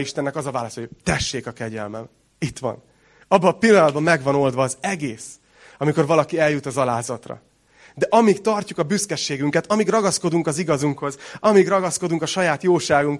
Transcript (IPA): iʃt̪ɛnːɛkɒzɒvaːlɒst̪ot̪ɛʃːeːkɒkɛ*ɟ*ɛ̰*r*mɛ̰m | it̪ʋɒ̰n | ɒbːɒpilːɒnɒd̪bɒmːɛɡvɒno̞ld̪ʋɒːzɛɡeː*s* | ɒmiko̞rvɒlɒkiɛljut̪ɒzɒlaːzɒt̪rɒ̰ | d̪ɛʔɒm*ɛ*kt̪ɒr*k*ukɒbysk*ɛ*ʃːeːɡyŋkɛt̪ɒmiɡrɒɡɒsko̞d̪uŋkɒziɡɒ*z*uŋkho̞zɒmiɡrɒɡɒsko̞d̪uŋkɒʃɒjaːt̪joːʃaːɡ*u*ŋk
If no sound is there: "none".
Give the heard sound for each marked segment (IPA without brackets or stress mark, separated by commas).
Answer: ɟ, l, s, i, c, ɛ, z, u